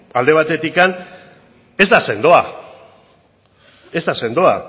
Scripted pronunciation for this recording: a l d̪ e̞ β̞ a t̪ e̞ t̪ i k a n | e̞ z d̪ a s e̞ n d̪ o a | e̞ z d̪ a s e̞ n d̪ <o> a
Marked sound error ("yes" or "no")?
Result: no